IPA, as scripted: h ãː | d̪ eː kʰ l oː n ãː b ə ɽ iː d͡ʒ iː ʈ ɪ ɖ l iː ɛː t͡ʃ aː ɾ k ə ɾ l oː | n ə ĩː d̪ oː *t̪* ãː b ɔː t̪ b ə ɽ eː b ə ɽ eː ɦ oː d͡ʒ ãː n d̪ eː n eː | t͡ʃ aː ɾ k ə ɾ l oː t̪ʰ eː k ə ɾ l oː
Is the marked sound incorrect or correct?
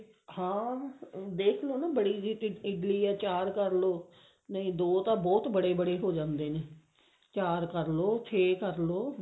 correct